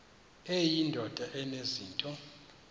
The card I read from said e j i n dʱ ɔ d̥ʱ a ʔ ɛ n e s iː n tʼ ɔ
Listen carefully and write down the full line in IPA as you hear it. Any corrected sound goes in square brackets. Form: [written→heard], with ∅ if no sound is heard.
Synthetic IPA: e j i n dʱ ɔ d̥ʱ a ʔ ɛ n e [s→z] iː n tʼ ɔ